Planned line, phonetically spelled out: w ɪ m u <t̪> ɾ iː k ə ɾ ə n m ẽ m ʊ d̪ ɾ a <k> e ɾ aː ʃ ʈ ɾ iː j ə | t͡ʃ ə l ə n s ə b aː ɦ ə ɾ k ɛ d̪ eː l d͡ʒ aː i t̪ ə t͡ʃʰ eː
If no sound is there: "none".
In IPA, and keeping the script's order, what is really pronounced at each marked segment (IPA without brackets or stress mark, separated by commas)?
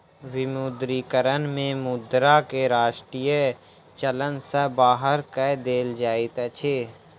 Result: d̪, k